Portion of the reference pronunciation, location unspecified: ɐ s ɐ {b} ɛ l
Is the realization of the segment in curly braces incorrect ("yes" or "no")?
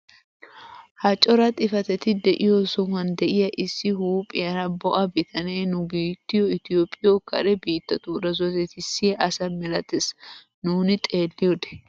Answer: yes